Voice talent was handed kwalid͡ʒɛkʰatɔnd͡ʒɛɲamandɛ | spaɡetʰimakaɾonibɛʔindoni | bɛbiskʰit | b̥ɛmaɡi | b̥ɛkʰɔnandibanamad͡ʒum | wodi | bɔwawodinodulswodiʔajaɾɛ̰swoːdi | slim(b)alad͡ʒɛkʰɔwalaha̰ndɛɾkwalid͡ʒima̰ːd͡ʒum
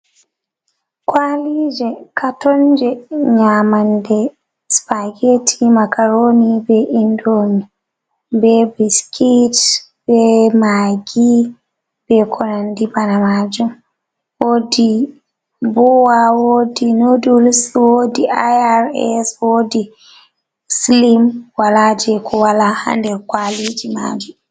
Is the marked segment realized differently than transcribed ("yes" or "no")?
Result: yes